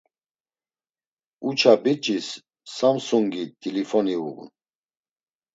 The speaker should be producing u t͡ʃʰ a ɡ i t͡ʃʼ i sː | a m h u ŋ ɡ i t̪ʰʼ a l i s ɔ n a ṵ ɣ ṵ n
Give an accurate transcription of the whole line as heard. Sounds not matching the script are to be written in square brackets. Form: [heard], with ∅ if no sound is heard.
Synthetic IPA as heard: u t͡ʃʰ a [b] i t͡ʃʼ i sː | a m [s] u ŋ ɡ i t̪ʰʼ [i] l i [f] ɔ n [i] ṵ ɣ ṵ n